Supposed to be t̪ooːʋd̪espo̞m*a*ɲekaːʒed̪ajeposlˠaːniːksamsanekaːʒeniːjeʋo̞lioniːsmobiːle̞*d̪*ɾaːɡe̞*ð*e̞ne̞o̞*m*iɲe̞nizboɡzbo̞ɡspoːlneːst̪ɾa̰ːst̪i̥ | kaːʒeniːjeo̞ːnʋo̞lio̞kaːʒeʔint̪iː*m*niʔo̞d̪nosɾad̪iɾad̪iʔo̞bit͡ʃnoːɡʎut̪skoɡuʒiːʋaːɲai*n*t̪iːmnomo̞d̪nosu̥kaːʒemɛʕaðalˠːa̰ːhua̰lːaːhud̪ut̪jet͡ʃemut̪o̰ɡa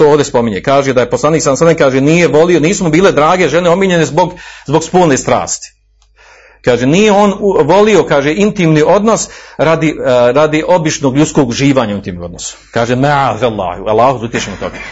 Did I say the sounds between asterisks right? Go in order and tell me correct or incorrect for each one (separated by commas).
incorrect, correct, incorrect, correct, correct, correct